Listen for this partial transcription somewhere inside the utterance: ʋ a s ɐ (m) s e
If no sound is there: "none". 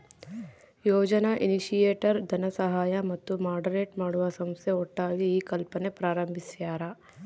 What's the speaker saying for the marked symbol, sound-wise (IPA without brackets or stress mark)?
m